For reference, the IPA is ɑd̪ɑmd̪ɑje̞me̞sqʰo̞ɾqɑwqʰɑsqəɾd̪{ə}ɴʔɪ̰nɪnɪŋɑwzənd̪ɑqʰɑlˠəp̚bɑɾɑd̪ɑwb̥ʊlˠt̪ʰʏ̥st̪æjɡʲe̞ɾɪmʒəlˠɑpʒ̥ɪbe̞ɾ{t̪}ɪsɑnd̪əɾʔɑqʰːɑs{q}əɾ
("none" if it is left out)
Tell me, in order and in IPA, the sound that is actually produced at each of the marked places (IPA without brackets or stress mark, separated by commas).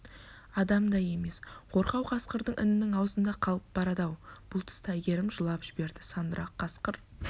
ə, d̪, q